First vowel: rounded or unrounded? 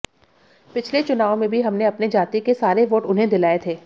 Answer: unrounded